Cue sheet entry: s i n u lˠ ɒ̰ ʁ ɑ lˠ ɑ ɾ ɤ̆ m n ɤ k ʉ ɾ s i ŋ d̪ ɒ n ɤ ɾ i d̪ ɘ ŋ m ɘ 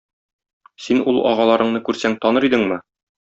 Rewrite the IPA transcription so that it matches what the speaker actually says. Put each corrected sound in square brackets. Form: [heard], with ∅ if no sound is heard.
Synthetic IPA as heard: s i n u lˠ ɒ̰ ʁ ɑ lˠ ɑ ɾ ɤ̆ [ɴ] n ɤ k ʉ ɾ s [æ] ŋ [t̪] ɒ n ɤ ɾ i d̪ ɘ ŋ m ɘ